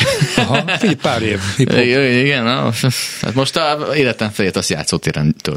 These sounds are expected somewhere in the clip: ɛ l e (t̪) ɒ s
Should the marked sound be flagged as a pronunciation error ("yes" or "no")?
no